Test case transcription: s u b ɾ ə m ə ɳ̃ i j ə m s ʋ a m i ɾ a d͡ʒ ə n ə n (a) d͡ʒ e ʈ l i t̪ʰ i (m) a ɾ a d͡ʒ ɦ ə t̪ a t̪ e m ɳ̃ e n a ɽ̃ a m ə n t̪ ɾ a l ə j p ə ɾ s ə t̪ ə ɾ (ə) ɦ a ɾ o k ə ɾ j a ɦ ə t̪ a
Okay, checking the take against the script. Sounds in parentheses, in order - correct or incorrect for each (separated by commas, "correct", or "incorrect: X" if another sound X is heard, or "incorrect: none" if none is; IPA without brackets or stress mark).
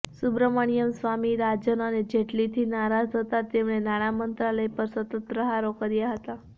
incorrect: e, incorrect: n, correct